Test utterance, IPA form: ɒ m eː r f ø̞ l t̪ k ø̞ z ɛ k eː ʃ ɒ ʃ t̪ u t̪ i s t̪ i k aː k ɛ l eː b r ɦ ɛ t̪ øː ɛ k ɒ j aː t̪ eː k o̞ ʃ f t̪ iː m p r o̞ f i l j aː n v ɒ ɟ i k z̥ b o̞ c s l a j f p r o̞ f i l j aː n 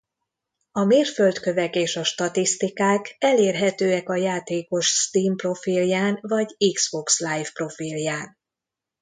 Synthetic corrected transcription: ɒ m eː r f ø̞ l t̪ k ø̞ v ɛ k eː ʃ ɒ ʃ t̪ ɒ t̪ i s t̪ i k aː k ɛ l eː r ɦ ɛ t̪ øː ɛ k ɒ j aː t̪ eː k o̞ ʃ s t̪ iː m p r o̞ f i l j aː n v ɒ ɟ i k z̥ b o̞ k s l a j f p r o̞ f i l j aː n